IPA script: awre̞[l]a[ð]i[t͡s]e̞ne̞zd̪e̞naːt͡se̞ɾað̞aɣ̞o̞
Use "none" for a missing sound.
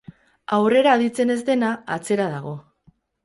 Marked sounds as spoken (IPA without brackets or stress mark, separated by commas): ɾ, ð, t͡s